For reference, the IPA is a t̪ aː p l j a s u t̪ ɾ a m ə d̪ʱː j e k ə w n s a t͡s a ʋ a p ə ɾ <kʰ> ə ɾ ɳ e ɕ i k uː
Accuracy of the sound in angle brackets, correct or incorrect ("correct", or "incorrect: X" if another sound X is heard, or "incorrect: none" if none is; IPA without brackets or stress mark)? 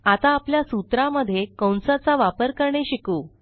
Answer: incorrect: k